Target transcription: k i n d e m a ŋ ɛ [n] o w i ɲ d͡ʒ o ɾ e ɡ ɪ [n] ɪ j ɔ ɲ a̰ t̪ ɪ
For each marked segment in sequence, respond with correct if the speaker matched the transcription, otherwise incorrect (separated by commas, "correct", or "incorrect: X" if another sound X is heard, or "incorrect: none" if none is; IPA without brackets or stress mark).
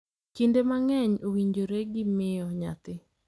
incorrect: ɲ, incorrect: m